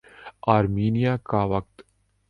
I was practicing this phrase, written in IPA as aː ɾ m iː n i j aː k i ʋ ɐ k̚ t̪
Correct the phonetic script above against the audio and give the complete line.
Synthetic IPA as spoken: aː ɾ m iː n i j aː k a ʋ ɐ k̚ t̪